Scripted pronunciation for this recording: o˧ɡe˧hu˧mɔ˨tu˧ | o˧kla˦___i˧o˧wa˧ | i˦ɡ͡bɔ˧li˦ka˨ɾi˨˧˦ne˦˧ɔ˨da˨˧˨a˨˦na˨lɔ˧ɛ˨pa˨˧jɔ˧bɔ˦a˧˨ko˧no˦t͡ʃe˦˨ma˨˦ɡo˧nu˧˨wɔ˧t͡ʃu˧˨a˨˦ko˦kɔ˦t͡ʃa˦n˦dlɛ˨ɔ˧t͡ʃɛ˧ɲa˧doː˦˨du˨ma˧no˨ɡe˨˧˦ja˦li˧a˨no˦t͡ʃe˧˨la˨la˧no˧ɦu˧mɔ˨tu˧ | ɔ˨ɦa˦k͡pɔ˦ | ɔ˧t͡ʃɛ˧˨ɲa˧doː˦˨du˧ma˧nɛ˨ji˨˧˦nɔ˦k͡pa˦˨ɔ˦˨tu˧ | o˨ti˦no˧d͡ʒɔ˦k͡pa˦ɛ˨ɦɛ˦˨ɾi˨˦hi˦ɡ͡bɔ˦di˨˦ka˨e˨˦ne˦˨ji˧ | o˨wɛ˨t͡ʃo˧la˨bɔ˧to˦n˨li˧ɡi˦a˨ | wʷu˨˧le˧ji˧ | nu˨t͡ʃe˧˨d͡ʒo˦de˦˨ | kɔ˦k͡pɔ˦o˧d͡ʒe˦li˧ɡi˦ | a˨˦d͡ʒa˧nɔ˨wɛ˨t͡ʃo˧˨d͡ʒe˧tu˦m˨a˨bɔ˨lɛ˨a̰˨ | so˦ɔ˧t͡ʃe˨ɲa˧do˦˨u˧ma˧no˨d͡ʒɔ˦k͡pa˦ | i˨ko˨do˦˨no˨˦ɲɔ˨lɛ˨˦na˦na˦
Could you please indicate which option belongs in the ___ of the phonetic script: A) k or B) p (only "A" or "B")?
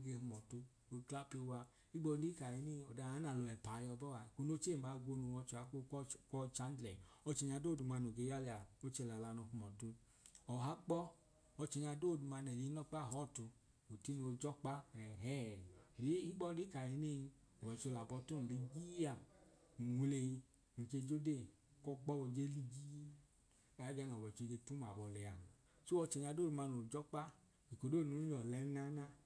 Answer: B